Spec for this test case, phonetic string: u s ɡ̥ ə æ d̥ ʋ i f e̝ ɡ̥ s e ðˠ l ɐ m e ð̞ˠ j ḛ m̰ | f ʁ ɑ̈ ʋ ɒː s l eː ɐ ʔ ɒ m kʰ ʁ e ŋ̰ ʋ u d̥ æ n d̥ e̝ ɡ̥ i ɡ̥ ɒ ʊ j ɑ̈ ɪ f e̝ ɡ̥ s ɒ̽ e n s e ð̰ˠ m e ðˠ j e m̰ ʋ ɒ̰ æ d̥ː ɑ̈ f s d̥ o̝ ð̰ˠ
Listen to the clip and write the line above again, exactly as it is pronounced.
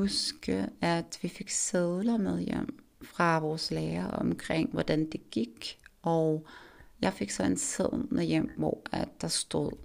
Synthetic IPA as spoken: u s ɡ̥ ə æ d̥ ʋ i f e̝ ɡ̥ s e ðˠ l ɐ m e ð̞ˠ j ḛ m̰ | f ʁ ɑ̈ ʋ ɒː s l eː ɐ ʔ ɒ m kʰ ʁ e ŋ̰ ʋ ɒ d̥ æ n d̥ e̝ ɡ̥ i ɡ̥ ɒ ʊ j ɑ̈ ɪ f e̝ ɡ̥ s ɒ̽ e n s e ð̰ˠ m e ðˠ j e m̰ ʋ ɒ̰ æ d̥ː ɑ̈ s d̥ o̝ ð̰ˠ